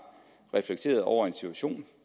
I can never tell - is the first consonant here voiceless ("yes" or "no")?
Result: no